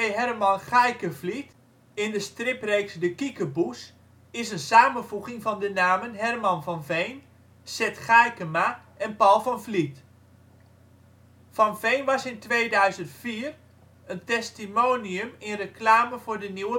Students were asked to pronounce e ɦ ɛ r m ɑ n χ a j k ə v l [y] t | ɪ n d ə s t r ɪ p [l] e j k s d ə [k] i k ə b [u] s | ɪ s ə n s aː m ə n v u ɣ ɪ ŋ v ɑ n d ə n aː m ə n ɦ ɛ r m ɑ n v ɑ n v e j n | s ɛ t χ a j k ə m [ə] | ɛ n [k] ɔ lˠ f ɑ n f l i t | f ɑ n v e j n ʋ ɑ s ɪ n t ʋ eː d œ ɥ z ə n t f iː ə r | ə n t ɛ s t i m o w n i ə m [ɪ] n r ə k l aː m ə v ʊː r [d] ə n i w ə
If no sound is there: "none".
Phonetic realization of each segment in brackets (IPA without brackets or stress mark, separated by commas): i, r, k, u, a, p, ɪ, d